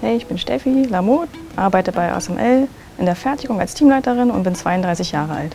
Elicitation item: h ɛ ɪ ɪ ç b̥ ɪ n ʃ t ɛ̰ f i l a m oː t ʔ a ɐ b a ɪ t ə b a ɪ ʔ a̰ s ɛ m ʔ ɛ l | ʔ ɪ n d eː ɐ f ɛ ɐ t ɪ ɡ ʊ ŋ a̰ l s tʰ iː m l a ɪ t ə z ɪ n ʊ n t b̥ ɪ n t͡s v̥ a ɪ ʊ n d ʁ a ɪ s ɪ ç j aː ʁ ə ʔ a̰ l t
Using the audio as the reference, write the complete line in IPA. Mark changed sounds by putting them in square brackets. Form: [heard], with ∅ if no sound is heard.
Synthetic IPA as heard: h ɛ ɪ ɪ ç b̥ ɪ n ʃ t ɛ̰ f i l a m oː t ʔ a ɐ b a ɪ t ə b a ɪ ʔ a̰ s ɛ m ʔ ɛ l | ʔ ɪ n d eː ɐ f ɛ ɐ t ɪ ɡ ʊ ŋ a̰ l s tʰ iː m l a ɪ t ə [ʁ] ɪ n ʊ n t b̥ ɪ n t͡s v̥ a ɪ ʊ n d ʁ a ɪ s ɪ ç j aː ʁ ə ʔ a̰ l t

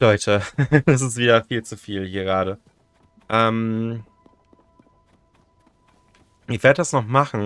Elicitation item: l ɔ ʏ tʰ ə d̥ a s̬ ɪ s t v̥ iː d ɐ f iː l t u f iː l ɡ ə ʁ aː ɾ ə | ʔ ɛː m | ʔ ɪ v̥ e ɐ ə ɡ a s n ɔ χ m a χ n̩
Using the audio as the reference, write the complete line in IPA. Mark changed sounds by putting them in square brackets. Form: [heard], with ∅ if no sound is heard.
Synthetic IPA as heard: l ɔ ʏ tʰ ə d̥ a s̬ ɪ s t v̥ iː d ɐ f iː l [t͡s] u f iː l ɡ ə ʁ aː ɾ ə | ʔ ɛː m | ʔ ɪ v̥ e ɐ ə [d] a s n ɔ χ m a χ n̩

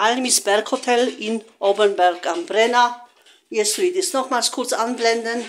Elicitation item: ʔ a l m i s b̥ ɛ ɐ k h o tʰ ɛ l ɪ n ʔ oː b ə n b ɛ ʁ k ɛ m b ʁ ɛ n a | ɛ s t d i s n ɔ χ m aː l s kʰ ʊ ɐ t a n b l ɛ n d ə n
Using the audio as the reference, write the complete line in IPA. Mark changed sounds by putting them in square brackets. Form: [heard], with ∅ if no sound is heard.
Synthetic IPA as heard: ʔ a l m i s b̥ ɛ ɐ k h o tʰ ɛ l ɪ n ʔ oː b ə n b ɛ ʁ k [a] m b ʁ ɛ n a | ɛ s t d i s n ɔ χ m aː l s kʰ ʊ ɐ [t͡s] a n b l ɛ n d ə n

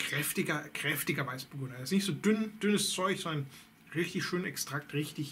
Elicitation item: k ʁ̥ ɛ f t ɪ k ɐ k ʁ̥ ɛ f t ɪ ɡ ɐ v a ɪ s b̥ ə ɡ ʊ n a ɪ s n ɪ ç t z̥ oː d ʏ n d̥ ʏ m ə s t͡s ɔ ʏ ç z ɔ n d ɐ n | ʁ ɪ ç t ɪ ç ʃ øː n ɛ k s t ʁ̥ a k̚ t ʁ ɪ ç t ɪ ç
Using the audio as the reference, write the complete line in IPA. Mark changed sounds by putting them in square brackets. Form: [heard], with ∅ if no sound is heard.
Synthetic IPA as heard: k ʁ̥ ɛ f t ɪ [ɡ] ɐ k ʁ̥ ɛ f t ɪ ɡ ɐ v a ɪ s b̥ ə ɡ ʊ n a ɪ s n ɪ ç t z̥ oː d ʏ n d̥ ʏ [n] ə s t͡s ɔ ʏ ç z ɔ n d ɐ n | ʁ ɪ ç t ɪ ç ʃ øː n ɛ k s t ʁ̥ a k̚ t ʁ ɪ ç t ɪ ç

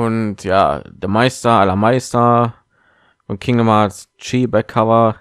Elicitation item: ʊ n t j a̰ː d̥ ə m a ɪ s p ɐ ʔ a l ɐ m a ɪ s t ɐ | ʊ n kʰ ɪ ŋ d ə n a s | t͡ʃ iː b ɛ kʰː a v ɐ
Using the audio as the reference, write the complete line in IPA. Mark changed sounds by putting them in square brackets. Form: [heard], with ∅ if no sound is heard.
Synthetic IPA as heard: ʊ n t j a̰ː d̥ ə m a ɪ s [t] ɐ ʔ a l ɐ m a ɪ s t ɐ | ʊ n kʰ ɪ ŋ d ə [m] a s | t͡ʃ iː b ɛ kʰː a v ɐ

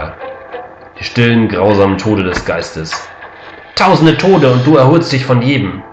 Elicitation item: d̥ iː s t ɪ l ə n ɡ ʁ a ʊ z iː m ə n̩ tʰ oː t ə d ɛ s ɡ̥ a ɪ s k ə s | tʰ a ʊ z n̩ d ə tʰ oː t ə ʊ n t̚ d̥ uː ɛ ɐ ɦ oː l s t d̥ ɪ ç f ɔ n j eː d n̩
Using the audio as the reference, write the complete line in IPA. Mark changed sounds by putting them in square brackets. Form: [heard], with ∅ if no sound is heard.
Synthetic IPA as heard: d̥ iː [ʃ] t ɪ l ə n ɡ ʁ a ʊ z [aː] m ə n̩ tʰ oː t ə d ɛ s ɡ̥ a ɪ s [t] ə s | tʰ a ʊ z n̩ d ə tʰ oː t ə ʊ n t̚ d̥ uː ɛ ɐ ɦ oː l s t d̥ ɪ ç f ɔ n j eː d [m̩]

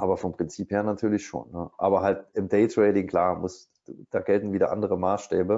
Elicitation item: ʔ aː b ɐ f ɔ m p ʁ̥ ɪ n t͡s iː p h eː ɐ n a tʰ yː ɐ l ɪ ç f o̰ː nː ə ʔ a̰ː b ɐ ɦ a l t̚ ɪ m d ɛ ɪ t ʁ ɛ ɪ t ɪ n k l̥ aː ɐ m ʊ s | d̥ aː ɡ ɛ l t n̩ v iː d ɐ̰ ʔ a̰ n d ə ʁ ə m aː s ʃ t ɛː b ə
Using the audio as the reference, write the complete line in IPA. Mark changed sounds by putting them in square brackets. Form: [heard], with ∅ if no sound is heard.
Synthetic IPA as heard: ʔ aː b ɐ f ɔ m p ʁ̥ ɪ n t͡s iː p h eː ɐ n a tʰ yː ɐ l ɪ ç [ʃ] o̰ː nː ə ʔ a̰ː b ɐ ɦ a l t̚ ɪ m d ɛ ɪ t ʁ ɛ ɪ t ɪ [ŋ] k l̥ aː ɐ m ʊ s | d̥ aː ɡ ɛ l t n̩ v iː d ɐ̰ ʔ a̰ n d ə ʁ ə m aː s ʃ t ɛː b ə

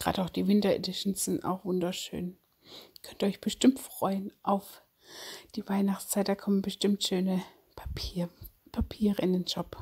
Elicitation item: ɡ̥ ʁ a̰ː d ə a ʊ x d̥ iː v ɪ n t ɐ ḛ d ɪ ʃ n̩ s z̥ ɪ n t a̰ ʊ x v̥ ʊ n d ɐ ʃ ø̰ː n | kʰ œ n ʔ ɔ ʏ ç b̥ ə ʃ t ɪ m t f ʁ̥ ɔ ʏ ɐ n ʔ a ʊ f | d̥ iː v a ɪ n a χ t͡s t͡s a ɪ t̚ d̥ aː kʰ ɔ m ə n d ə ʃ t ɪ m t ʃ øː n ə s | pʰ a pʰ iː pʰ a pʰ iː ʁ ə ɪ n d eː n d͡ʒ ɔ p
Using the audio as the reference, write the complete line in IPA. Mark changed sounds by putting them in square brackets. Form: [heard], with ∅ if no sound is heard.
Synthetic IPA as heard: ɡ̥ ʁ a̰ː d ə a ʊ x d̥ iː v ɪ n t ɐ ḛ d ɪ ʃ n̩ s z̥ ɪ n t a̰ ʊ x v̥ ʊ n d ɐ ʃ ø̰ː n | kʰ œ n [t] ɔ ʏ ç b̥ ə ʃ t ɪ m t f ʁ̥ ɔ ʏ [ə] n ʔ a ʊ f | d̥ iː v a ɪ n a χ t͡s t͡s a ɪ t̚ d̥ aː kʰ ɔ m ə n [b] ə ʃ t ɪ m t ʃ øː n ə [∅] | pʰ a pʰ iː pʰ a pʰ iː ʁ ə ɪ n d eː n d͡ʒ ɔ p

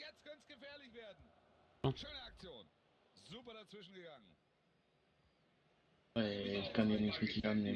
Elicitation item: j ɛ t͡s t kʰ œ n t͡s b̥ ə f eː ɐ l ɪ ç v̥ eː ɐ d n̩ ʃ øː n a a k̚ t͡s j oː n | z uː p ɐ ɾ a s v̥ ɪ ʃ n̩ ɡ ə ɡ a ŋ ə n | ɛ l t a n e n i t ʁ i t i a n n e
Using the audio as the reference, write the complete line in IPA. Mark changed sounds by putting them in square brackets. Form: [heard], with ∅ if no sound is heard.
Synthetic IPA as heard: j ɛ t͡s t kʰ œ n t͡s [ɡ̥] ə f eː ɐ l ɪ ç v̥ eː ɐ d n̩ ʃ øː n [ə] a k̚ t͡s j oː n | z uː p ɐ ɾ a [t͡s] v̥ ɪ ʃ n̩ ɡ ə ɡ a ŋ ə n | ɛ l [k] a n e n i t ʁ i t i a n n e

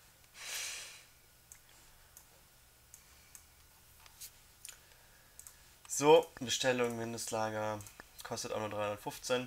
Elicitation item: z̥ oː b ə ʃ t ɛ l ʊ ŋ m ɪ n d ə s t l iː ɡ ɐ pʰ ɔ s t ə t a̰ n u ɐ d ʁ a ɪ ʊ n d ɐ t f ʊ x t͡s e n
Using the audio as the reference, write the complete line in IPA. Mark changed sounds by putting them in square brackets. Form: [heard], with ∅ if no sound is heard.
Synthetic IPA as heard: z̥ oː b ə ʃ t ɛ l ʊ ŋ m ɪ n d ə s t l [aː] ɡ ɐ [kʰ] ɔ s t ə t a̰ n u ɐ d ʁ a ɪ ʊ n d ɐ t f ʊ [f] t͡s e n

